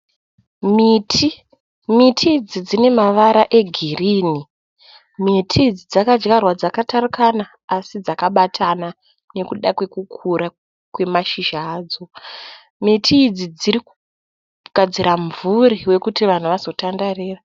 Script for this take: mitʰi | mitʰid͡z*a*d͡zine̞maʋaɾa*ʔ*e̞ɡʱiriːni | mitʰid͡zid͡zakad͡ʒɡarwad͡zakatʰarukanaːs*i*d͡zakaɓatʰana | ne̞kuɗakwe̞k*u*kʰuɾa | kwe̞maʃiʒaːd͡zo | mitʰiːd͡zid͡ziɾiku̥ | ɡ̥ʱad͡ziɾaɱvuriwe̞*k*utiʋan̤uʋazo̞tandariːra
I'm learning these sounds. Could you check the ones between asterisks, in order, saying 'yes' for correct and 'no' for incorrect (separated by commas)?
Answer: no, yes, yes, yes, yes